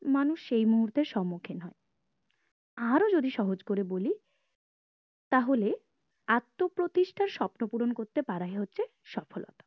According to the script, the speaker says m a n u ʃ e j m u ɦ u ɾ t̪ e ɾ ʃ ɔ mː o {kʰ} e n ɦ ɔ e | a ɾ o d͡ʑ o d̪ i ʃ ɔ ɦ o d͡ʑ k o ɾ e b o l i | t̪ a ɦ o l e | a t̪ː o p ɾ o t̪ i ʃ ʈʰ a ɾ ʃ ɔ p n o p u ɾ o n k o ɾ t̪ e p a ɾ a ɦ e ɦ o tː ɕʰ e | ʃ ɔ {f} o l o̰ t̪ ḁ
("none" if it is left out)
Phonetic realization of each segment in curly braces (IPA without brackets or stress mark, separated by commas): kʰ, f